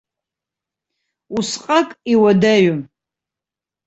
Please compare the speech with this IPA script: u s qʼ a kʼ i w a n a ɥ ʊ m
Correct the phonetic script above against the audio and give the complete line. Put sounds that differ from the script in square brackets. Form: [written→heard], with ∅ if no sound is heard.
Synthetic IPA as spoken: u s qʼ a kʼ i w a [n→d] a ɥ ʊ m